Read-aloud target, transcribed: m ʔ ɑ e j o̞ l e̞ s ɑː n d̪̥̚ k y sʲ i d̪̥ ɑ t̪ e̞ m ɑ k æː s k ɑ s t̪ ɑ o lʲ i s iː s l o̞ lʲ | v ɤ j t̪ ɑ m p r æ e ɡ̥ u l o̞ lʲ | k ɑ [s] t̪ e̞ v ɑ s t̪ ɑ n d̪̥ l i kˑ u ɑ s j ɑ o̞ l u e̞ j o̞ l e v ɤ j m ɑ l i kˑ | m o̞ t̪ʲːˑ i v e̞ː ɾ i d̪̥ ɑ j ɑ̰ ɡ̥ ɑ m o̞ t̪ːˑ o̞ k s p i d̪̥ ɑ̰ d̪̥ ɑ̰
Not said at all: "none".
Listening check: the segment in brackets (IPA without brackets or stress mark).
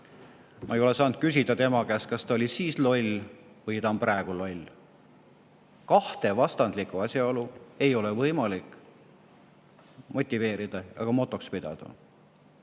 h